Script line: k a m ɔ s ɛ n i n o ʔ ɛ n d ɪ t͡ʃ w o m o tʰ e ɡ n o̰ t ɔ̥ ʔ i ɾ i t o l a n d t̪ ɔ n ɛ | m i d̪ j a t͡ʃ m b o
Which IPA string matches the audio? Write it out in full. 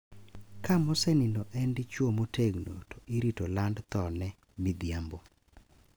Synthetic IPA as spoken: k a m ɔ s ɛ n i n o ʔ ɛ n d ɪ t͡ʃ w o m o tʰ e ɡ n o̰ t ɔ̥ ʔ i ɾ i t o l a n d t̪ ɔ n ɛ | m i d̪ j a m b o